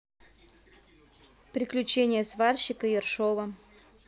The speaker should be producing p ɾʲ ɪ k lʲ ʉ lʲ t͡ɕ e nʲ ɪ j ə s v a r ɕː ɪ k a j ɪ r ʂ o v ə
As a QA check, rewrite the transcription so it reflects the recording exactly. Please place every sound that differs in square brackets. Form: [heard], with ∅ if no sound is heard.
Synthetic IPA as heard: p ɾʲ ɪ k lʲ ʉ [∅] t͡ɕ e nʲ ɪ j ə s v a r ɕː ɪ k [ə] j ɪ r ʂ o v ə